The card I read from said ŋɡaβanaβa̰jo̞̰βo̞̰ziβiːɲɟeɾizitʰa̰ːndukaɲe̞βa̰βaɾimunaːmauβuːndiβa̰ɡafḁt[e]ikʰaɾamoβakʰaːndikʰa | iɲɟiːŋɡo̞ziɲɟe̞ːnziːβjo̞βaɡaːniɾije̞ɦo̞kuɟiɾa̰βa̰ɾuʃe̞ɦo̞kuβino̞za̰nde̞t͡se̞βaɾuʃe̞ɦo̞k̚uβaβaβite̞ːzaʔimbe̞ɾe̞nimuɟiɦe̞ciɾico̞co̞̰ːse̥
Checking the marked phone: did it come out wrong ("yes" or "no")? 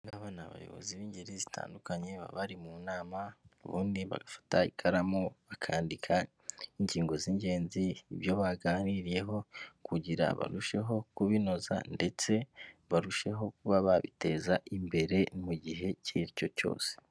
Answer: yes